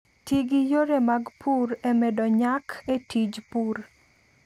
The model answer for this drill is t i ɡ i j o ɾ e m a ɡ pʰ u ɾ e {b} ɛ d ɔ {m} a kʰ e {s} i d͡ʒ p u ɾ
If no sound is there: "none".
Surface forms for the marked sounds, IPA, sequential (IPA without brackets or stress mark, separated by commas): m, ɲ, t